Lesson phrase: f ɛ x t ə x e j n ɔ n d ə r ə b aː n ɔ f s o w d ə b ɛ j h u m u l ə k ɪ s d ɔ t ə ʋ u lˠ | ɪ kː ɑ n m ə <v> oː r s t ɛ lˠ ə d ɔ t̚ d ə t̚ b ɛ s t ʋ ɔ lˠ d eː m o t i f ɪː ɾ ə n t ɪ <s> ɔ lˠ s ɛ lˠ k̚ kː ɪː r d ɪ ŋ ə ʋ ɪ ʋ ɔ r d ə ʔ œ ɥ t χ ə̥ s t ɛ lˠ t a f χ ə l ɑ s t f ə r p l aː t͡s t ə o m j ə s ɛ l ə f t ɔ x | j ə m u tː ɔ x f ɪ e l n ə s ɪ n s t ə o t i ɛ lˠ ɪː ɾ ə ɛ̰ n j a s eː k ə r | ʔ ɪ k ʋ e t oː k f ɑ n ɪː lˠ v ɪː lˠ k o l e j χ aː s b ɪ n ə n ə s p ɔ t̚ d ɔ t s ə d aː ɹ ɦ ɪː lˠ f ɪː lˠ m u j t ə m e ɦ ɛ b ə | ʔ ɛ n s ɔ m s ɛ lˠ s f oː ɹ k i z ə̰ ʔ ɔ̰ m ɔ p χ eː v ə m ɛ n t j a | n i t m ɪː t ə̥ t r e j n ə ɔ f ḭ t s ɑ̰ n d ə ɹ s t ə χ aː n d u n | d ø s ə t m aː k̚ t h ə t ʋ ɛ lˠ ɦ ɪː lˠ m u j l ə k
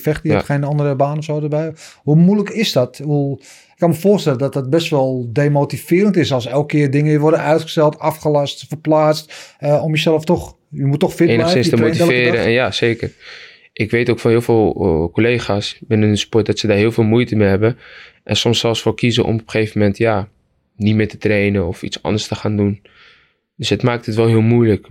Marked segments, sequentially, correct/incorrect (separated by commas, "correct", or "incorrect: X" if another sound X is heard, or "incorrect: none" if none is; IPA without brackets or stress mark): incorrect: f, correct